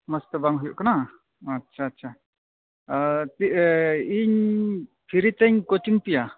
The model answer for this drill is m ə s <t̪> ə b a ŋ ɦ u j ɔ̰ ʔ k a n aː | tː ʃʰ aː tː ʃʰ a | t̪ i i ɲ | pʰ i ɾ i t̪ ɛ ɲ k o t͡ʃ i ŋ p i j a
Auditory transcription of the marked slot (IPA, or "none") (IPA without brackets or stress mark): t̪